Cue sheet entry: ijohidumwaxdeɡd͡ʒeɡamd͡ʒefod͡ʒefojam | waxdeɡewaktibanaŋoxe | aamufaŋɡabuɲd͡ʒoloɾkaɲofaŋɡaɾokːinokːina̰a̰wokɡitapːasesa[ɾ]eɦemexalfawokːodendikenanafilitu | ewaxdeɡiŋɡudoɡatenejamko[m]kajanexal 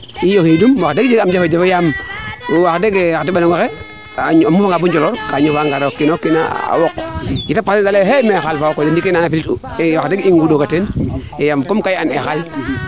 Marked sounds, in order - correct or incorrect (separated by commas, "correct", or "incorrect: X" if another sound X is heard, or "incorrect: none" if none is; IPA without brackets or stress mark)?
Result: incorrect: l, correct